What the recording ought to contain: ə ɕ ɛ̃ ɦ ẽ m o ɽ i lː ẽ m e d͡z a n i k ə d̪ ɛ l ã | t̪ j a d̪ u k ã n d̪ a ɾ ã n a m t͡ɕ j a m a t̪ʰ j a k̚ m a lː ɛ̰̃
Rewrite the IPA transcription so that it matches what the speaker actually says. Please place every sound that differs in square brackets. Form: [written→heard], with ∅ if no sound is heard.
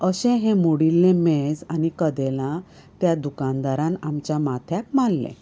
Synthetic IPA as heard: ə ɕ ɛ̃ ɦ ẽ m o ɽ i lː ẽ m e d͡z a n i k ə d̪ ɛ l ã | t̪ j a d̪ u k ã n d̪ a ɾ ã n a m t͡ɕ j a m a t̪ʰ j a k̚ m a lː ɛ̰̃

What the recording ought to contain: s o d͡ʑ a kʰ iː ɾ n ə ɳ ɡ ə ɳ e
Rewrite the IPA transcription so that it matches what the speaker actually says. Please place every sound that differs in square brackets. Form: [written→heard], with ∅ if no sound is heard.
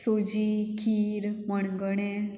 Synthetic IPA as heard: s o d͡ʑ [a→i] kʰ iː ɾ [n→m] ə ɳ ɡ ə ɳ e

